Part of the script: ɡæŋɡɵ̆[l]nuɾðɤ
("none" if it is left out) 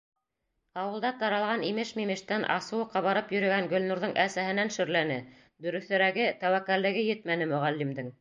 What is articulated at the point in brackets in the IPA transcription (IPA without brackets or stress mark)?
l